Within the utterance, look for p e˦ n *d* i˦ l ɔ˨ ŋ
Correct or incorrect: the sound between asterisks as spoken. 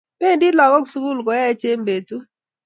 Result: correct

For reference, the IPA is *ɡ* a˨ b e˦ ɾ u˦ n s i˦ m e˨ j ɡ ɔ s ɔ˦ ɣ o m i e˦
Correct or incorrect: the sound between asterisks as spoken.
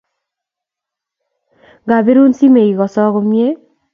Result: correct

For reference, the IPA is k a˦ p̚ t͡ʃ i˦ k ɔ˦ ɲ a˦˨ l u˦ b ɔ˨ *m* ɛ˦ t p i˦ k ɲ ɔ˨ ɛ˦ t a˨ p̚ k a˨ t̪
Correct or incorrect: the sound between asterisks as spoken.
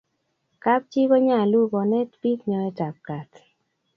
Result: incorrect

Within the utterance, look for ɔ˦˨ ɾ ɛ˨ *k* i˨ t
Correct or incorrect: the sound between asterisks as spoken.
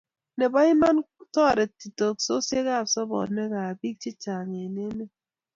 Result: incorrect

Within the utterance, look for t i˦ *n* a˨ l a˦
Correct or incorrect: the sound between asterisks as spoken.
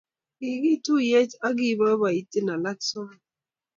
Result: correct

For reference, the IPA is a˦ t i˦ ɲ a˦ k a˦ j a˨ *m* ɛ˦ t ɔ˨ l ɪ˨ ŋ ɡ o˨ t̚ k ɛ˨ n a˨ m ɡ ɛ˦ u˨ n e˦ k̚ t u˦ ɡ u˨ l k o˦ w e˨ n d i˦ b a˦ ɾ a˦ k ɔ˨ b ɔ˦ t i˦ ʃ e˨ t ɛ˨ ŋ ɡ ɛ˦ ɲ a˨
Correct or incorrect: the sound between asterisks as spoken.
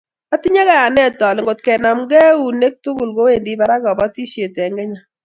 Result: incorrect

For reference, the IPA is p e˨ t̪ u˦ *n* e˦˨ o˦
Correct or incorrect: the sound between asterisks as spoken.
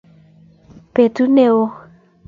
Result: correct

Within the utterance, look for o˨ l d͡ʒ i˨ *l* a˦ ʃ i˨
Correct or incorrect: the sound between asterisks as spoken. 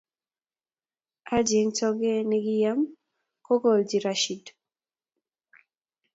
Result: incorrect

